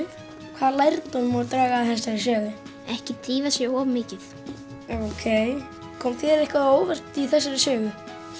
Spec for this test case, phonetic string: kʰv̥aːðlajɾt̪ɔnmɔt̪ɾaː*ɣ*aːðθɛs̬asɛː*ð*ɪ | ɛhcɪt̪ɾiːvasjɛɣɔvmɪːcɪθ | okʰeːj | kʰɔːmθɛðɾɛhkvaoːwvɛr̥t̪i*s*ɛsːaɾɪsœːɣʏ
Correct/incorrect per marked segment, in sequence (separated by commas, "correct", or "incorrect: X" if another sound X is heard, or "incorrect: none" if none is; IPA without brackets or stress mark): correct, correct, incorrect: θ